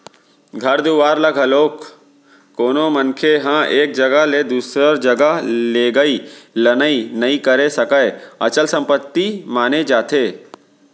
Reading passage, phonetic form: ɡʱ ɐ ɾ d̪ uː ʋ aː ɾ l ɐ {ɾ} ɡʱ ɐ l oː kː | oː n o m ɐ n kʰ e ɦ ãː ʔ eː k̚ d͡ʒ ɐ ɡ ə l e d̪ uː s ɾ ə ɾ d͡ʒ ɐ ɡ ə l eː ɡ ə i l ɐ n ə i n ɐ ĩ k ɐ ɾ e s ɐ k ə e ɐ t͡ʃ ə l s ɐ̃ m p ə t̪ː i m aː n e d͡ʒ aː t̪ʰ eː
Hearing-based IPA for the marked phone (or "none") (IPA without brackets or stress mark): none